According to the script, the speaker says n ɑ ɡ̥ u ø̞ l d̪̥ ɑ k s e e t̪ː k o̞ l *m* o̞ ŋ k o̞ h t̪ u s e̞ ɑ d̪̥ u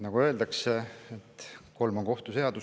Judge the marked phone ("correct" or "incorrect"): correct